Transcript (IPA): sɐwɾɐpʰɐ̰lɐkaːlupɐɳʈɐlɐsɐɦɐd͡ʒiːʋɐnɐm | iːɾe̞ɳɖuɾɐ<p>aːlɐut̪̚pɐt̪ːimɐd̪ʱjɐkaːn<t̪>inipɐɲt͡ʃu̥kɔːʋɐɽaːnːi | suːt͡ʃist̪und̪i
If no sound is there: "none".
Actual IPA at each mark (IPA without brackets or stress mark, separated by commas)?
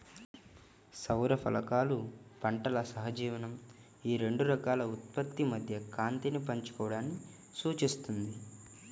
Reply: k, t̪